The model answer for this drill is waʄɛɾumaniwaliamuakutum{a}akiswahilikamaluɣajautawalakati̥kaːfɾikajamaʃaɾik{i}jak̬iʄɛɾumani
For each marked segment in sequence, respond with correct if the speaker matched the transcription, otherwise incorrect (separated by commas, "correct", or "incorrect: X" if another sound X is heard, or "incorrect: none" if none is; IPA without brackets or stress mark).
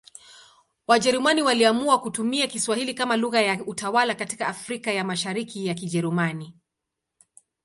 incorrect: i, correct